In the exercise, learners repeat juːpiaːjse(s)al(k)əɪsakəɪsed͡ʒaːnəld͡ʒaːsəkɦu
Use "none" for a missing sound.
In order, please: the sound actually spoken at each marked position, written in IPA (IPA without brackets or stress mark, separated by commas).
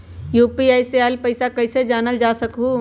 none, p